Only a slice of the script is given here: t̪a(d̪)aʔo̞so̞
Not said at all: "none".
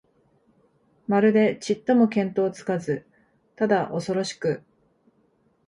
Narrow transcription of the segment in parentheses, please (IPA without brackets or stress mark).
d̪